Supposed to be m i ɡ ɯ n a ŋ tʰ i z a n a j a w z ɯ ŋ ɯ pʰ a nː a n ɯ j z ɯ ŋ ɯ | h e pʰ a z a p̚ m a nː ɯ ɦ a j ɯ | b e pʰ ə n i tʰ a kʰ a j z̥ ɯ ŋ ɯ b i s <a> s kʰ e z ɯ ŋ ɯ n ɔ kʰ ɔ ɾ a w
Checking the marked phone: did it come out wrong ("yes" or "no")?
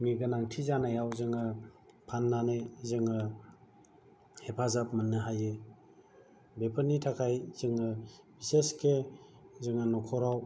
yes